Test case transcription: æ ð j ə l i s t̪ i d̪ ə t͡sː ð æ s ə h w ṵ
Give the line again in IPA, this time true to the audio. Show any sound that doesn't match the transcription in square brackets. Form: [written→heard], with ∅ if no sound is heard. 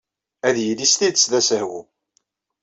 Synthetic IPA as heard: æ ð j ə l i s t̪ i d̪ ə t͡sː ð æ s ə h w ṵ